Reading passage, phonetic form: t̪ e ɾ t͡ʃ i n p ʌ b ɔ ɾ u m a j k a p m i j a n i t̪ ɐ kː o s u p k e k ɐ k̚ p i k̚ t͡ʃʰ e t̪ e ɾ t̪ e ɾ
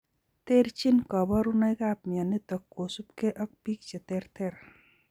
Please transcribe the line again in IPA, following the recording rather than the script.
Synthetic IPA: t̪ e ɾ t͡ʃ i n k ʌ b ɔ ɾ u n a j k a p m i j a n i t̪ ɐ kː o s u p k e ʔ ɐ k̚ p i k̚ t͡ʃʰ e t̪ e ɾ t̪ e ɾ

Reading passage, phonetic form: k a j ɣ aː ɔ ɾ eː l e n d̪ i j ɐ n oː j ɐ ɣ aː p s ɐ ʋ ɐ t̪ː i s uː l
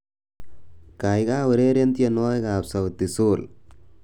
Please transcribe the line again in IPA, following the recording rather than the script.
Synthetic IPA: k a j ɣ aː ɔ ɾ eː ɾ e n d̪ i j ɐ n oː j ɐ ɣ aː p s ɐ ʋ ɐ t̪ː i s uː l

